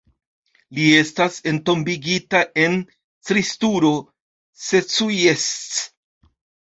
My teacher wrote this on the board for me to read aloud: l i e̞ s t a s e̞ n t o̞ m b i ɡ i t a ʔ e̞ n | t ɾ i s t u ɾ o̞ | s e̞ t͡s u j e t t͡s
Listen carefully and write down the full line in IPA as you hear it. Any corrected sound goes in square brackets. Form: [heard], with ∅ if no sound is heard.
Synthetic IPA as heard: l i e̞ s t a s e̞ n t o̞ m b i ɡ i t a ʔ e̞ n | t ɾ i s t u ɾ o̞ | s e̞ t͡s u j e [s] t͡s

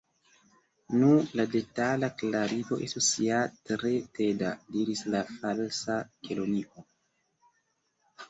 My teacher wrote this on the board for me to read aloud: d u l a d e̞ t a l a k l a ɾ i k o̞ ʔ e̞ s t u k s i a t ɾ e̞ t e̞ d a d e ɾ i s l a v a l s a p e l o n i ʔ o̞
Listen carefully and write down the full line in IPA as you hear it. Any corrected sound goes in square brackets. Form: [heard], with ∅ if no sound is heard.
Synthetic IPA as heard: [n] u l a d e̞ t a l a k l a ɾ i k o̞ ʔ e̞ s t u [∅] s i a t ɾ e̞ t e̞ d a d [i] ɾ i s l a [f] a l s a [k] e l o n i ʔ o̞

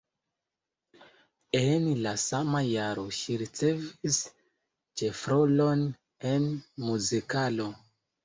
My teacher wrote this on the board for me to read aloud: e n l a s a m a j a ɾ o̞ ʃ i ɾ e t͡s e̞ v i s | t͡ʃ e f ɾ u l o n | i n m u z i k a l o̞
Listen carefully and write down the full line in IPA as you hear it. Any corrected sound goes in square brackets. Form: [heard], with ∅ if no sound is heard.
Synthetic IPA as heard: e n l a s a m a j a ɾ o̞ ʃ i ɾ [i] t͡s e̞ v i s | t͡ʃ e f ɾ [o] l o n | [e] n m u z i k a l o̞

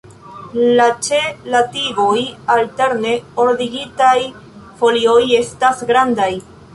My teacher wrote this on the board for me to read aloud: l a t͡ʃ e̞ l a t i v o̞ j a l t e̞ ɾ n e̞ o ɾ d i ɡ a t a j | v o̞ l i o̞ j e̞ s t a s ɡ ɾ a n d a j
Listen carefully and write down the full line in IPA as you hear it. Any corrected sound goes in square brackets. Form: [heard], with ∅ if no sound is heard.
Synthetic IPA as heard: l a t͡ʃ e̞ l a t i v o̞ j a l t e̞ ɾ n e̞ o ɾ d i ɡ [i] t a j | [f] o̞ l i o̞ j e̞ s t a s ɡ ɾ a n d a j

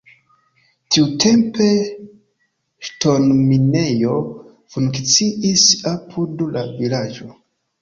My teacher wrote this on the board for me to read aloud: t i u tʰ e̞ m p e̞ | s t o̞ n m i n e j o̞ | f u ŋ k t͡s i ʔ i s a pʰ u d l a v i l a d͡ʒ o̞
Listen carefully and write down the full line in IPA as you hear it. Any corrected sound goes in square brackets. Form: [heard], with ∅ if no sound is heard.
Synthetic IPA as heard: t i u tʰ e̞ m p e̞ | [ʃ] t o̞ n m i n e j o̞ | f u ŋ k t͡s i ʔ i s a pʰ u d l a v i l a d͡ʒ o̞

